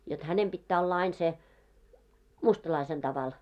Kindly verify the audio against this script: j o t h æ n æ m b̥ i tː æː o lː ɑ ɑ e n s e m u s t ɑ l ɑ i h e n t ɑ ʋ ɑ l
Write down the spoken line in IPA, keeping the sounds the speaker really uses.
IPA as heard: j o t h æ n e m b̥ i tː æː o lː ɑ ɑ i n s e m u s t ɑ l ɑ i s e n t ɑ ʋ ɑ l